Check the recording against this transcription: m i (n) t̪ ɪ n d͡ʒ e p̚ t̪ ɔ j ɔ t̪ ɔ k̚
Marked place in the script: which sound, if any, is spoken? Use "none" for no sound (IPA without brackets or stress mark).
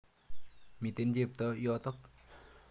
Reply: none